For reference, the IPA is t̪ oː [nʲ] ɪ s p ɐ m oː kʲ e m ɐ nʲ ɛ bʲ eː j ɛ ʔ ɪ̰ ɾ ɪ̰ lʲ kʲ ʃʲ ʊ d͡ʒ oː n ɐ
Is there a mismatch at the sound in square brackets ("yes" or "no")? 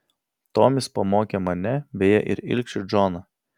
yes